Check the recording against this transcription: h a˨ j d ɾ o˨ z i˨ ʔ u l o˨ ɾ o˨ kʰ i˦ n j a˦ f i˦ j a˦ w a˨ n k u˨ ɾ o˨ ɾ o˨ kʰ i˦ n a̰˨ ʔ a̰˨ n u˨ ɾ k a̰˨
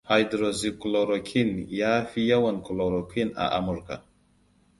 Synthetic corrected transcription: h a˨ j d ɾ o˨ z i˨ k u l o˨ ɾ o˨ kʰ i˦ n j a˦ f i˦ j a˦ w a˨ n k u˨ l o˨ ɾ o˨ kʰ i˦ n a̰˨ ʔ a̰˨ m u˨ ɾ k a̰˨